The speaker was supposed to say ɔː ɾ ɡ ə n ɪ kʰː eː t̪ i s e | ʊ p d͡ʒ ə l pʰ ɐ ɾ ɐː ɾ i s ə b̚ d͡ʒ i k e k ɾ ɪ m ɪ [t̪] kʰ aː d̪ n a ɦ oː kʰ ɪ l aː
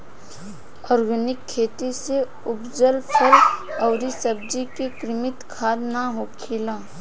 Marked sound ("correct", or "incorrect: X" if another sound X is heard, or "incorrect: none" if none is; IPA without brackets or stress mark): correct